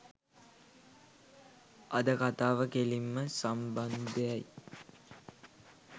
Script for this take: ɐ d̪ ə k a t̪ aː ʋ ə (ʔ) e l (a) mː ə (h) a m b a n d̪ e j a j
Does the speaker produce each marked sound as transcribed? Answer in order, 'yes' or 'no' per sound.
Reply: no, no, no

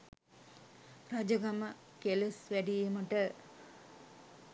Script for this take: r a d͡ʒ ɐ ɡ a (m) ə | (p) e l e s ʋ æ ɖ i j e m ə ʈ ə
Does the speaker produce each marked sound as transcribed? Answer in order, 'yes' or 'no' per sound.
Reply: yes, no

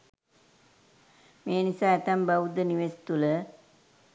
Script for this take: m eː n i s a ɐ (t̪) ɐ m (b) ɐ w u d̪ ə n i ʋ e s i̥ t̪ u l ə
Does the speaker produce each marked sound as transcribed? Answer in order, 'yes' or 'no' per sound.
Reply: yes, yes

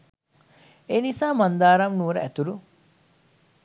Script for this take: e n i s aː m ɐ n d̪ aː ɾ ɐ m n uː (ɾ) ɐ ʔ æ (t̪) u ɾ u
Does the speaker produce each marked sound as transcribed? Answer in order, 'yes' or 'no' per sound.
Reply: yes, yes

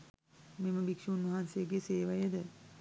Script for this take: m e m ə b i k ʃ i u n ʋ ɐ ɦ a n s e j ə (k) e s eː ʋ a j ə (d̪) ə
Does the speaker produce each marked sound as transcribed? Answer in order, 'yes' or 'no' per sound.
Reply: no, yes

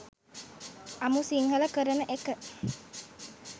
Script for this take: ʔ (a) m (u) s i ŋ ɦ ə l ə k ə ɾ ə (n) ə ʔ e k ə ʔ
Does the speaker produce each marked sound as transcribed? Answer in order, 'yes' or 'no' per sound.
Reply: yes, yes, yes

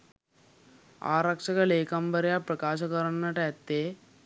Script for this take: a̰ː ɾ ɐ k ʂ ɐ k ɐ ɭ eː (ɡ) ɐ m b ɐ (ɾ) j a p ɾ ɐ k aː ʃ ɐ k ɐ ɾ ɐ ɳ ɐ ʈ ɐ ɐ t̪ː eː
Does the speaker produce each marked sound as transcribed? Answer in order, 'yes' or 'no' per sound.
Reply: no, yes

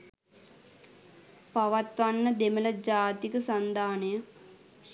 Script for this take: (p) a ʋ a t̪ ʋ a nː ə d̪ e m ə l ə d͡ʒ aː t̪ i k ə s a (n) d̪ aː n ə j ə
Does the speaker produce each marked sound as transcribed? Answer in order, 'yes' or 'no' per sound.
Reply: yes, yes

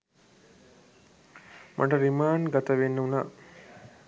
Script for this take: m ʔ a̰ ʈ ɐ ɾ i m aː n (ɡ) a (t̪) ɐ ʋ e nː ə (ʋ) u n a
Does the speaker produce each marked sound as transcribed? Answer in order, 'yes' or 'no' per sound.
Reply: yes, yes, no

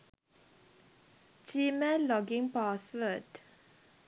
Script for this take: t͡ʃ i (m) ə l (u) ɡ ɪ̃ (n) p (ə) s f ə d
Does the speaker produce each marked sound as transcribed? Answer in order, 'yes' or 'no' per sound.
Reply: yes, no, no, no

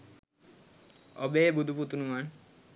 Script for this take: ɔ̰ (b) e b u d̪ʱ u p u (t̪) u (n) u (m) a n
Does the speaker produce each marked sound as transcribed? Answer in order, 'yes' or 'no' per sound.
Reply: yes, yes, yes, yes

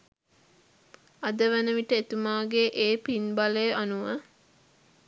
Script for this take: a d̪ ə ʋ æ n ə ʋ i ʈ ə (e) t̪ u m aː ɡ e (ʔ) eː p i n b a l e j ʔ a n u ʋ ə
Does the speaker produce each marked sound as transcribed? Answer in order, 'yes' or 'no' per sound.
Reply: yes, yes

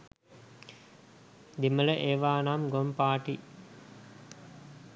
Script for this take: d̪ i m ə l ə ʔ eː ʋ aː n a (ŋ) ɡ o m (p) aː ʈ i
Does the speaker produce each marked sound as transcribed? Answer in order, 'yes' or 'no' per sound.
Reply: no, yes

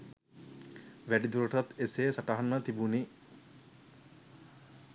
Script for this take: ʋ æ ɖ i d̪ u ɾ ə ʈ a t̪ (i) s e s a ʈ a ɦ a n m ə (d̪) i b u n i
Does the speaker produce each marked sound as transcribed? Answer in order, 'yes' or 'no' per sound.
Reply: no, no

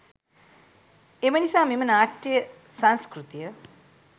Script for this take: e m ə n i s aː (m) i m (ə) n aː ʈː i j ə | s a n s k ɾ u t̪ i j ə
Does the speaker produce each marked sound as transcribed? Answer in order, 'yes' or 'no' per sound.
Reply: yes, yes

